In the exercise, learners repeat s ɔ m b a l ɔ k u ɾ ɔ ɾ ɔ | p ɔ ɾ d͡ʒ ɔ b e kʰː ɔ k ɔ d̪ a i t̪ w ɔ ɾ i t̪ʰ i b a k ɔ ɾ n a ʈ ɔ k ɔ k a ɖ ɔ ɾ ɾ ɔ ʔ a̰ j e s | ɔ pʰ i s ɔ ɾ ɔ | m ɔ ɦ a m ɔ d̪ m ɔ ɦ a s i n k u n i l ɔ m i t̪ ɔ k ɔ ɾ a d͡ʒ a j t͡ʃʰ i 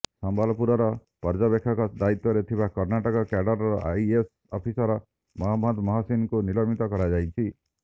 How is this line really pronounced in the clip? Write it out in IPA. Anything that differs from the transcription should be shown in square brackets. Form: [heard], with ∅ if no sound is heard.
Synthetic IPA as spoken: s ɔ m b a l ɔ [p] u ɾ ɔ ɾ ɔ | p ɔ ɾ d͡ʒ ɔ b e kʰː ɔ k ɔ d̪ a i t̪ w ɔ ɾ [e] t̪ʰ i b a k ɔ ɾ n a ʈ ɔ k ɔ k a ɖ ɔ ɾ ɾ ɔ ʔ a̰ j e s | ɔ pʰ i s ɔ ɾ ɔ | m ɔ ɦ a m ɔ d̪ m ɔ ɦ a s i n k u n i l ɔ m i t̪ ɔ k ɔ ɾ a d͡ʒ a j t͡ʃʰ i